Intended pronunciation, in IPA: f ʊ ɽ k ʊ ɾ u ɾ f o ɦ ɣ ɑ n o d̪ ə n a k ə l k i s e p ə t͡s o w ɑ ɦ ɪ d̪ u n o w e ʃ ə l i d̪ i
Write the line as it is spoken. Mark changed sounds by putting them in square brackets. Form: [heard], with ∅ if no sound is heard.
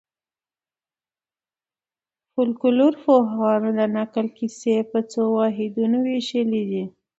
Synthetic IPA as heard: f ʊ [l] k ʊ [l] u ɾ f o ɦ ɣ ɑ n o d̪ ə n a k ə l k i s e p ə t͡s o w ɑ ɦ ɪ d̪ u n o w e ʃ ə l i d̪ i